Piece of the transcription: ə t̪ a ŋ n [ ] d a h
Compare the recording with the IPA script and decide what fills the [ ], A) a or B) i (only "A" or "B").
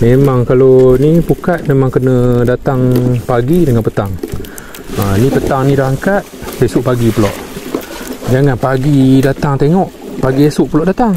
B